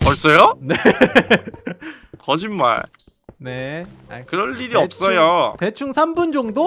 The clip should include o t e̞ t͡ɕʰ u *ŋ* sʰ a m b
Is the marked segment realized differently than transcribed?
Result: no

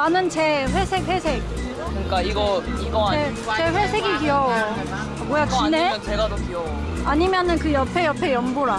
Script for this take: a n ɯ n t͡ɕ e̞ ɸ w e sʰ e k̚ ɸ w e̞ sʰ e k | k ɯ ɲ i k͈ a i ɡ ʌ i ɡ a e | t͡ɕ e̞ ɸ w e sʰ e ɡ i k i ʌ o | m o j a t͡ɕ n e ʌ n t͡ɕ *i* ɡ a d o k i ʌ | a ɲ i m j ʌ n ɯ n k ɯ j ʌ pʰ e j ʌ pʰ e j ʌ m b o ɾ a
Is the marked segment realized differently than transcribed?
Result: yes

